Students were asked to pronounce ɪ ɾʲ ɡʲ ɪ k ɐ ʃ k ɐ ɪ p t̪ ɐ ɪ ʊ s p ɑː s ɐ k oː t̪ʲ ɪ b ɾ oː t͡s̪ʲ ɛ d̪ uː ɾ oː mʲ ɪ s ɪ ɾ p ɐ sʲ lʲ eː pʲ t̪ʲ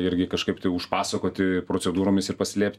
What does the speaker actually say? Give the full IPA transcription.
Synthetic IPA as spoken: ɪ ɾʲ ɡʲ ɪ k ɐ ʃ k ɐ ɪ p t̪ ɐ ɪ ʊ ʃ p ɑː s ɐ k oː t̪ʲ ɪ p ɾ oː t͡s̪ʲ ɛ d̪ uː ɾ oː mʲ ɪ s ɪ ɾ p ɐ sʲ lʲ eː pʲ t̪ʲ